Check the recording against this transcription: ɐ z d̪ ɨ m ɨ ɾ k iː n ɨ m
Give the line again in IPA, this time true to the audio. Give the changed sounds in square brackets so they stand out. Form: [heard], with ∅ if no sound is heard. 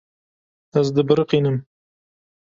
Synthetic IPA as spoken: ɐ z d̪ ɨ [b] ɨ ɾ [q] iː n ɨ m